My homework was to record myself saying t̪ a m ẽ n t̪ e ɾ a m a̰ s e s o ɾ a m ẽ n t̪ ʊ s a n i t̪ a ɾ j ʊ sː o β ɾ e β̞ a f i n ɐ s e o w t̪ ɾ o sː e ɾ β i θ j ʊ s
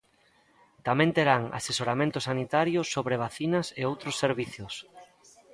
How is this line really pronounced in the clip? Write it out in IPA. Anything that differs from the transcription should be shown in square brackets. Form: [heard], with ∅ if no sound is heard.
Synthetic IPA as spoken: t̪ a m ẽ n t̪ e ɾ a [ŋ] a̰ s e s o ɾ a m ẽ n t̪ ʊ s a n i t̪ a ɾ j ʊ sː o β ɾ e β̞ a [θ] i n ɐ s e o w t̪ ɾ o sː e ɾ β i θ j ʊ s